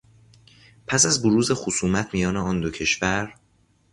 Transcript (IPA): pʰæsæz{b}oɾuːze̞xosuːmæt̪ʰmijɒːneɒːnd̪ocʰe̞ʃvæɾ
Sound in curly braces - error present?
no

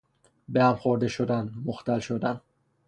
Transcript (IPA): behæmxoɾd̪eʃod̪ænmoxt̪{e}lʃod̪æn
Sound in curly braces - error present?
yes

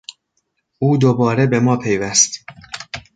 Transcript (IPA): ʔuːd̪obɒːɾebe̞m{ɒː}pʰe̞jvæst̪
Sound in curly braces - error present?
no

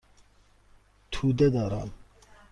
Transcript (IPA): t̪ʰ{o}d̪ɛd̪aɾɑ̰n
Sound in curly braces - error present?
yes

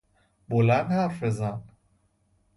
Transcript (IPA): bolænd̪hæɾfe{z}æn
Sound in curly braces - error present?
no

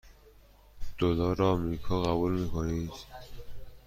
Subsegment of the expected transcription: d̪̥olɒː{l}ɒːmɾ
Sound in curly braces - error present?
yes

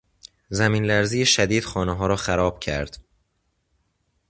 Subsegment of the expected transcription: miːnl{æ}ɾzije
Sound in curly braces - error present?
no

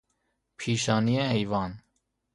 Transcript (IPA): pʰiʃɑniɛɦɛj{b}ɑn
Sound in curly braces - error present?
yes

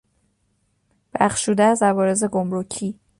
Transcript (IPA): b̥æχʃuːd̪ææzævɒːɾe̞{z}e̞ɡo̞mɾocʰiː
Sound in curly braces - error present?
no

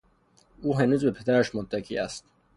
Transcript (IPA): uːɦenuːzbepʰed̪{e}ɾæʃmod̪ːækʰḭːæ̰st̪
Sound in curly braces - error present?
yes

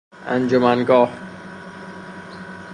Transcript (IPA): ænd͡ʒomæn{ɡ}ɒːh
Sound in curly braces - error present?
no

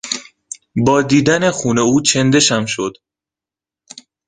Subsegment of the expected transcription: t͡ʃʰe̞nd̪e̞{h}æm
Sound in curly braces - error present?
yes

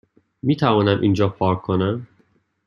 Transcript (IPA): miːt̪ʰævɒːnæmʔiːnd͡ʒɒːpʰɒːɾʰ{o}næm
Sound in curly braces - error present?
no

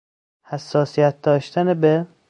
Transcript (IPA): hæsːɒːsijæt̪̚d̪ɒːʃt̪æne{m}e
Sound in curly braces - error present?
yes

